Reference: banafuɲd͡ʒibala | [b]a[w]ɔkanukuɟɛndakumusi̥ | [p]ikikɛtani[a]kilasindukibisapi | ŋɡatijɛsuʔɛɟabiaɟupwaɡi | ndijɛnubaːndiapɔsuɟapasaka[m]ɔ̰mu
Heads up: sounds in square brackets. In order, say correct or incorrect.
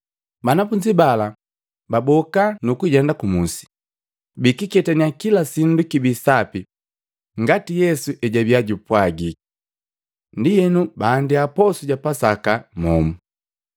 correct, incorrect, incorrect, correct, correct

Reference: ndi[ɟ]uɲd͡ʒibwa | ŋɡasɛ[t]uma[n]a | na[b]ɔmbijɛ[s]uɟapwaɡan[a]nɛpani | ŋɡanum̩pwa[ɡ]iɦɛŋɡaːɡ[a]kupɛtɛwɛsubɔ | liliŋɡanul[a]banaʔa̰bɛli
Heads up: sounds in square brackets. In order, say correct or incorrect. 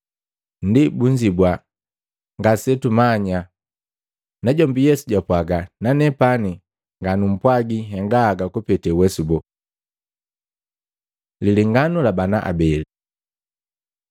incorrect, correct, incorrect, incorrect, correct, correct, correct, correct, correct

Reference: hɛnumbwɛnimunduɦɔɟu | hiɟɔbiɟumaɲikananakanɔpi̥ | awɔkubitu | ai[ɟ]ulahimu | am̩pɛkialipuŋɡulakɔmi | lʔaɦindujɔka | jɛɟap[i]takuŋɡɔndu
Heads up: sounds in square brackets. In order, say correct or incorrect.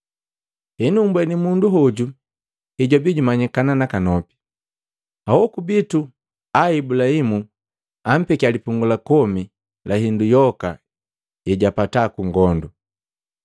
incorrect, incorrect

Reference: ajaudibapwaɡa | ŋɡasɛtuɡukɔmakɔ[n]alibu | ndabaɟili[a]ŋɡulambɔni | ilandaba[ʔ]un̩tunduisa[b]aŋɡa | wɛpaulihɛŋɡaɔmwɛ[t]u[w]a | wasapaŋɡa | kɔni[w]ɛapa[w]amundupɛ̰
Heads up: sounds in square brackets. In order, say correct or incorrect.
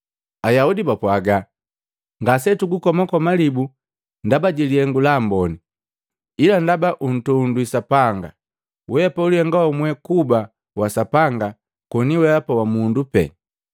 incorrect, incorrect, correct, incorrect, incorrect, incorrect, correct, correct

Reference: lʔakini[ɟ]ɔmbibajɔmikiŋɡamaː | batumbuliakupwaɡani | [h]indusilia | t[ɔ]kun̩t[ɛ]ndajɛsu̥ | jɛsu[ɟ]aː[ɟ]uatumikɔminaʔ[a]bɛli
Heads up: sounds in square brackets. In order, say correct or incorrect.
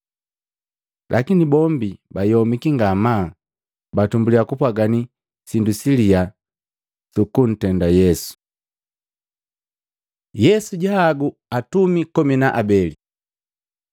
incorrect, incorrect, incorrect, correct, correct, incorrect, correct

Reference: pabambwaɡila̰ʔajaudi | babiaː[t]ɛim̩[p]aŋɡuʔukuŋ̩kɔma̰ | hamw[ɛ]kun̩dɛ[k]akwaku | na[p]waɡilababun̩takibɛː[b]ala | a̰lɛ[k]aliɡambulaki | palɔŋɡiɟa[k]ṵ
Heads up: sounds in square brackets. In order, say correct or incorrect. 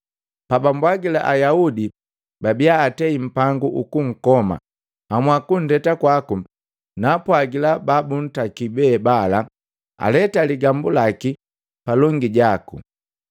correct, correct, incorrect, incorrect, correct, correct, incorrect, correct

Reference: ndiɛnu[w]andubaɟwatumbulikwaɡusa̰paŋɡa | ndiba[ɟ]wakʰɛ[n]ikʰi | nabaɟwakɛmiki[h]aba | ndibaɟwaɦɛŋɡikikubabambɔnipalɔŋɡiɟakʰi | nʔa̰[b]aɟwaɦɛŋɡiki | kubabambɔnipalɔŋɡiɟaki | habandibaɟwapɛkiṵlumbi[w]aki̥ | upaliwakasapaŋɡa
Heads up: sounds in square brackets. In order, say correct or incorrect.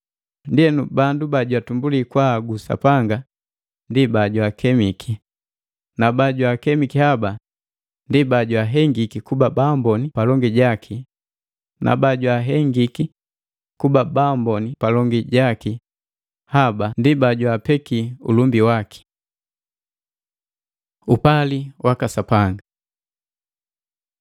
incorrect, correct, incorrect, correct, correct, correct

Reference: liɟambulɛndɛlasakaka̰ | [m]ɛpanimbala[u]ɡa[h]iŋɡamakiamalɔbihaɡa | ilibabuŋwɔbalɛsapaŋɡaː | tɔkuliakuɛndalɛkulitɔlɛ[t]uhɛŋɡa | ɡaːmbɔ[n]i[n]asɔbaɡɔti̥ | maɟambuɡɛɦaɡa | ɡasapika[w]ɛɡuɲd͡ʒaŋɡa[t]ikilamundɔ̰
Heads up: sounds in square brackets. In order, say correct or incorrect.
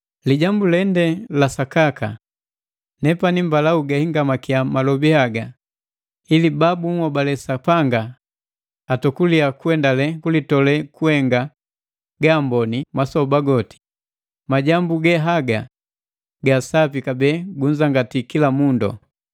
incorrect, correct, correct, incorrect, correct, incorrect, incorrect, correct

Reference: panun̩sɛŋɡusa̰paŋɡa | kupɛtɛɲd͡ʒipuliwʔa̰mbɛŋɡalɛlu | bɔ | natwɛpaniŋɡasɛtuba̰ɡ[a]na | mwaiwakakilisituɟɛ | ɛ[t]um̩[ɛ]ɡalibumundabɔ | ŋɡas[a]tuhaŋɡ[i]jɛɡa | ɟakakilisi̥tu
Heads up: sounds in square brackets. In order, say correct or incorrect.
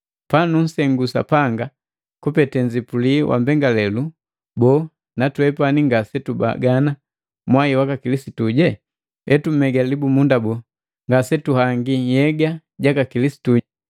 correct, correct, correct, incorrect, correct

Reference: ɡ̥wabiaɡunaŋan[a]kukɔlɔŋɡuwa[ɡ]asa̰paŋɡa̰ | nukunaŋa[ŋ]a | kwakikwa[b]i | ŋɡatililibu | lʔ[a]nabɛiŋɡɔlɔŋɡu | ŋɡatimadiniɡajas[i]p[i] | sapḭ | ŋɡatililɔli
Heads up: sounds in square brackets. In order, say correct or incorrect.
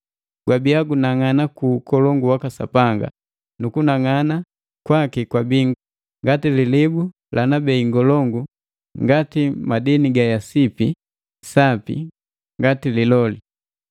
correct, incorrect, incorrect, correct, correct, correct, correct

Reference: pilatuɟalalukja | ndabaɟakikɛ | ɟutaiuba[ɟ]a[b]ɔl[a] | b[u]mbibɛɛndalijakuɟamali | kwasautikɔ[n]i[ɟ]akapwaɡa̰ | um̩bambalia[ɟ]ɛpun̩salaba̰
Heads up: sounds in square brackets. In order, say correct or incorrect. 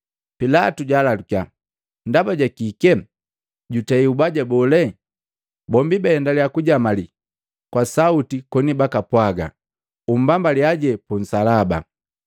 correct, correct, incorrect, incorrect, correct, incorrect, correct

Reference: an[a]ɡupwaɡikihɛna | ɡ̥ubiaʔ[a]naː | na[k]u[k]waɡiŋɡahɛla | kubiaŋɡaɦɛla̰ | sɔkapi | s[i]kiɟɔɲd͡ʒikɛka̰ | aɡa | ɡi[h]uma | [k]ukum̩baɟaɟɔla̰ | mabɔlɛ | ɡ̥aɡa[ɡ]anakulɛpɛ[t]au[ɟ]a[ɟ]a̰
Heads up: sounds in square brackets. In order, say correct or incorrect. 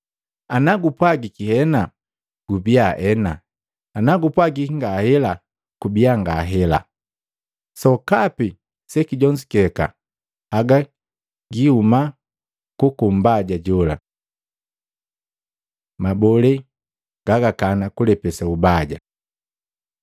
correct, incorrect, incorrect, incorrect, incorrect, correct, correct, incorrect, incorrect, incorrect, correct

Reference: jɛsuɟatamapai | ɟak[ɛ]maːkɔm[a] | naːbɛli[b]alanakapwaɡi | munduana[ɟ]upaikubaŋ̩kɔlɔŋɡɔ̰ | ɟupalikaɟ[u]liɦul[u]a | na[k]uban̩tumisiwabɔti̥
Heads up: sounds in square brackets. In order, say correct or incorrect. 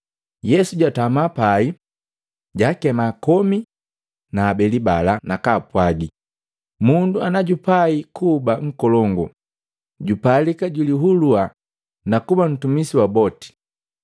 correct, incorrect, correct, correct, correct, correct, correct

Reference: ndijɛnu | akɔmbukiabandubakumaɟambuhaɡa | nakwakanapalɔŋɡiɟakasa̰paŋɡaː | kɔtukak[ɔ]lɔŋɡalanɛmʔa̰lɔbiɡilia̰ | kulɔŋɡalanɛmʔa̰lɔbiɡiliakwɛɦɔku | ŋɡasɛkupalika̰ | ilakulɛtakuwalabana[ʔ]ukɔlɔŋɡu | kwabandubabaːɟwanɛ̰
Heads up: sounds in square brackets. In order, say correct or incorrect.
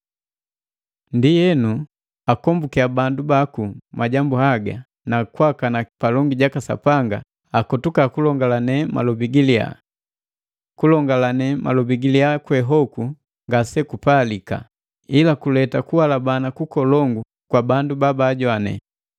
incorrect, incorrect

